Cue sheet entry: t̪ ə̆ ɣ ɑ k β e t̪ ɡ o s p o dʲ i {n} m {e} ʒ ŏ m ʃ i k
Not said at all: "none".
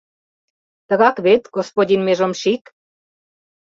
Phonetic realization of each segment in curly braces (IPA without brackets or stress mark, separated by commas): n, e